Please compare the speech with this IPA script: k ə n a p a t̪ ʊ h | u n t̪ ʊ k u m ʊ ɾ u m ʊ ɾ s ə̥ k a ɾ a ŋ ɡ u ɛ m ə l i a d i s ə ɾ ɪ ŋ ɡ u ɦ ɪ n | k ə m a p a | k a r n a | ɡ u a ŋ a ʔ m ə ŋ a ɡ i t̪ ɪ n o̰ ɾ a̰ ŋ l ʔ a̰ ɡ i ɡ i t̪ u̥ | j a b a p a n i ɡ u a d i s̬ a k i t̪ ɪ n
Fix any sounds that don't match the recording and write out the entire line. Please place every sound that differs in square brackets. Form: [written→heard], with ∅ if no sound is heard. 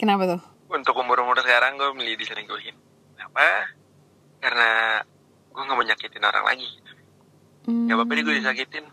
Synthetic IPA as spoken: k ə n a p a t̪ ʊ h | u n t̪ ʊ k u m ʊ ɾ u m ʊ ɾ s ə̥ k a ɾ a ŋ ɡ u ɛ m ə l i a d i s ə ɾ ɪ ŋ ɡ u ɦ ɪ n | k ə [m→n] a p a | k a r n a | ɡ u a ŋ a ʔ m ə [ŋ→ɲ] a [ɡ→k] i t̪ ɪ n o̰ ɾ a̰ ŋ l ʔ a̰ ɡ i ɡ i t̪ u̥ | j a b a p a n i ɡ u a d i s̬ a k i t̪ ɪ n